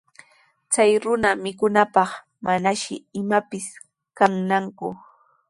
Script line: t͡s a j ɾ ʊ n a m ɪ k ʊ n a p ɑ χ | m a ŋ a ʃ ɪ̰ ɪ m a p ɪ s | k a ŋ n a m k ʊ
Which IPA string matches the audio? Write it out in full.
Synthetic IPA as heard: t͡s a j ɾ ʊ n a m ɪ k ʊ n a p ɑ χ | m a n a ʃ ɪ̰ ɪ m a p ɪ s | k a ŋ n a ŋ k ʊ

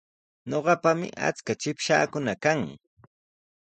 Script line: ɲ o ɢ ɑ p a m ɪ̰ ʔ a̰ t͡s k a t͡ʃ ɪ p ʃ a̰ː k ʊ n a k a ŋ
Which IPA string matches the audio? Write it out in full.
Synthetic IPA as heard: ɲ o ɢ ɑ p a m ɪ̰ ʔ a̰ t͡s k a t͡ʃ ɪ p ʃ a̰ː k ʊ n a k a ŋ

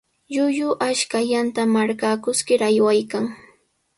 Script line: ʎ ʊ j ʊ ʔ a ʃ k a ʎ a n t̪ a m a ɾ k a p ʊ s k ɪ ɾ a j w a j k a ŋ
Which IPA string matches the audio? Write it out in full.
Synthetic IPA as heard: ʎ ʊ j ʊ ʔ a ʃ k a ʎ a n t̪ a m a ɾ k a k ʊ s k ɪ ɾ a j w a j k a ŋ

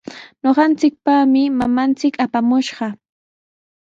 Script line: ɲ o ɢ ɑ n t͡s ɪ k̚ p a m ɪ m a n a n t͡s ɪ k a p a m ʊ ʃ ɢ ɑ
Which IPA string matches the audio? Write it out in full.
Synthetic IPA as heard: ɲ o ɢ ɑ n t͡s ɪ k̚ p a m ɪ m a m a n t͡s ɪ k a p a m ʊ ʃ ɢ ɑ

